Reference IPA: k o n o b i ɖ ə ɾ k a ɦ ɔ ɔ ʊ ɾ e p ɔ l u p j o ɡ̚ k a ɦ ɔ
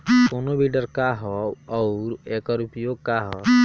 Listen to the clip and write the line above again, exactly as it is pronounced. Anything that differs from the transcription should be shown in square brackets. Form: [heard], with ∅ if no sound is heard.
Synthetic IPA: k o n o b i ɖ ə ɾ k a ɦ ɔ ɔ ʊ ɾ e [k] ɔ [ɾ] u p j o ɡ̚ k a ɦ ɔ